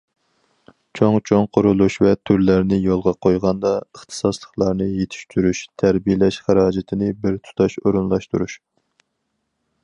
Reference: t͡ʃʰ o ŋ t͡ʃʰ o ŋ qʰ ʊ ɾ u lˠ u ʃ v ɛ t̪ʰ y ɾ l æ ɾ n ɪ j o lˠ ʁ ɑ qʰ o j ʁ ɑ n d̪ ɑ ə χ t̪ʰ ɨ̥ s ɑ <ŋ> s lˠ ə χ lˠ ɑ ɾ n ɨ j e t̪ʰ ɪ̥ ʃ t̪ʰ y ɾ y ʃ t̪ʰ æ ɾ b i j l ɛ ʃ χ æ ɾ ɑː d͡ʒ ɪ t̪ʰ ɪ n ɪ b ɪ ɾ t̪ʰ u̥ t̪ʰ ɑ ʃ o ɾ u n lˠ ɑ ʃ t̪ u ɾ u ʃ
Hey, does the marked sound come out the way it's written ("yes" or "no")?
no